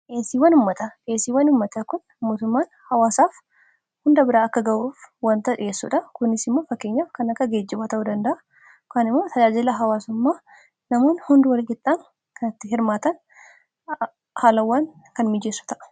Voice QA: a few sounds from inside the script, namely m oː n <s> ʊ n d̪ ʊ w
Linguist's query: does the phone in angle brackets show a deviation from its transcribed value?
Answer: yes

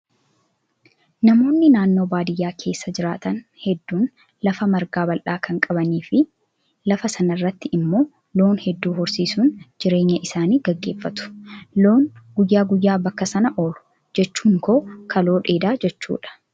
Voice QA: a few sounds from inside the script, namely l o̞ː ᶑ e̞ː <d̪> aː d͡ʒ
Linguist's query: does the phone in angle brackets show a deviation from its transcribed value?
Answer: no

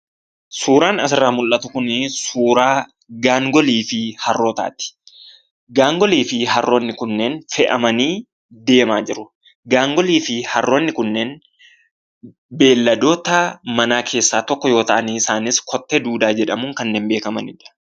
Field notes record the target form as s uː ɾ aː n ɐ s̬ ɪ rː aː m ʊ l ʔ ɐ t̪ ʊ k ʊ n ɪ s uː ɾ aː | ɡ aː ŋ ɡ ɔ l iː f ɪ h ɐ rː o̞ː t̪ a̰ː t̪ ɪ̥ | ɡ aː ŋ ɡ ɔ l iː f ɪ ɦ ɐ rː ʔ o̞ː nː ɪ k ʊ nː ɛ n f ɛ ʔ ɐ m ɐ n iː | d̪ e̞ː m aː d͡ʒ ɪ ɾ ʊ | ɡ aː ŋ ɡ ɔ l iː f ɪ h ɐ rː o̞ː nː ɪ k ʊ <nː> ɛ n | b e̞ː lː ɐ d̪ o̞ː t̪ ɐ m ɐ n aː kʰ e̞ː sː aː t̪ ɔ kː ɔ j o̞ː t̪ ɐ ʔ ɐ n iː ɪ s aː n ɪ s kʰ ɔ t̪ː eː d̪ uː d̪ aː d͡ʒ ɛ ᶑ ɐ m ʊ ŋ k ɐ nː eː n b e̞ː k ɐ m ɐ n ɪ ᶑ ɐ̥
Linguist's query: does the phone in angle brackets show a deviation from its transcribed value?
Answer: no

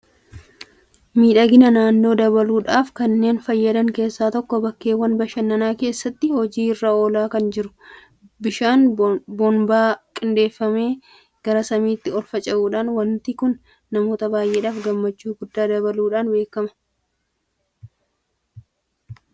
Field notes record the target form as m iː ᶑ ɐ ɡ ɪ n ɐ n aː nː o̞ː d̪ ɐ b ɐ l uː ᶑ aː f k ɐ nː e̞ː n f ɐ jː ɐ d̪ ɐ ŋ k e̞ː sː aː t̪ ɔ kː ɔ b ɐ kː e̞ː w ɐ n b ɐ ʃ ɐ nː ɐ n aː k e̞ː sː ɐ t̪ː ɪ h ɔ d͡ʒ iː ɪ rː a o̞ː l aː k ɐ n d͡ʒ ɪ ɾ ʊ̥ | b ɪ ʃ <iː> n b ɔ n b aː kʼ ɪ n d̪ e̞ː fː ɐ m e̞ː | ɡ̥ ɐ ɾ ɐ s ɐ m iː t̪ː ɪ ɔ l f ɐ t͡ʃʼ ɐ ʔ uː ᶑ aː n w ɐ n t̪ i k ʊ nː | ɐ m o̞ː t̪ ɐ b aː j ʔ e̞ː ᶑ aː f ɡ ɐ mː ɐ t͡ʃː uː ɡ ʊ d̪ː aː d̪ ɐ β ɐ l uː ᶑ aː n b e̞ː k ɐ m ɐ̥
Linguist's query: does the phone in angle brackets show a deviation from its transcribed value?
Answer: yes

